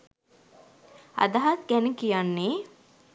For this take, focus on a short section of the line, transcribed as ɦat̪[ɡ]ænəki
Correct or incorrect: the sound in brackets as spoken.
correct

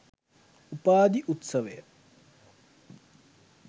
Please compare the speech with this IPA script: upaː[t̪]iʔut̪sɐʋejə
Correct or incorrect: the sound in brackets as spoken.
incorrect: d̪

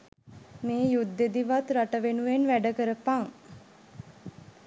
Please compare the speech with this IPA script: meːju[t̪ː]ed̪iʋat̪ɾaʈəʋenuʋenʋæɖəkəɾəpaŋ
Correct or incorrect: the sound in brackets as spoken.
incorrect: d̪ː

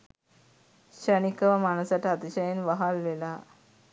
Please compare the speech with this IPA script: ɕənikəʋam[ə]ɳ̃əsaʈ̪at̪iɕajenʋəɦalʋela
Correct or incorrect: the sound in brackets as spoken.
incorrect: a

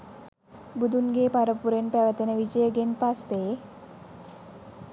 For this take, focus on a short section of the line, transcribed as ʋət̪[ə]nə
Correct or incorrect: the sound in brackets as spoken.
correct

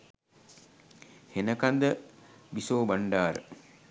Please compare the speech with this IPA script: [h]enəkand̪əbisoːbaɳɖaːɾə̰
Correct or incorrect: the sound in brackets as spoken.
correct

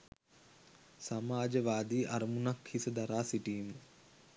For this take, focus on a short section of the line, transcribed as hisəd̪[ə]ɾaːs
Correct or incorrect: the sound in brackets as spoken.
incorrect: a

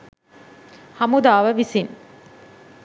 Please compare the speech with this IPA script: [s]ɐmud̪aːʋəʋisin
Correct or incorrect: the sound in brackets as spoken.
incorrect: h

